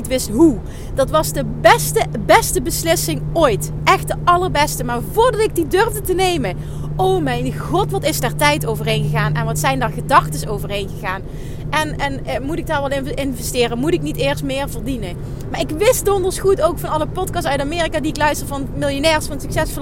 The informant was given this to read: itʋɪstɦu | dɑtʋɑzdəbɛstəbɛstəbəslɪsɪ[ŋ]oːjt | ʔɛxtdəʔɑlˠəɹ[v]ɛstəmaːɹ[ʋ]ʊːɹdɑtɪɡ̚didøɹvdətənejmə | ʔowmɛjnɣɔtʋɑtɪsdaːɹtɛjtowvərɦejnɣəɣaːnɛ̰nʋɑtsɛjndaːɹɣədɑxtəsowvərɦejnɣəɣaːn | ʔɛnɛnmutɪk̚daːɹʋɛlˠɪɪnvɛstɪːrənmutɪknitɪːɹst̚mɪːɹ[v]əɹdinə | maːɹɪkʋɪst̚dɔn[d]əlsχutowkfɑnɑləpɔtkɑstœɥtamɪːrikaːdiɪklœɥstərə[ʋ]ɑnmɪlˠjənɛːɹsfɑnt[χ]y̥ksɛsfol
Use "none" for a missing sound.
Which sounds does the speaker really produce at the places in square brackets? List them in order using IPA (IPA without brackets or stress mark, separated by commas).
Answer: ŋ, b, v, v, d, v, s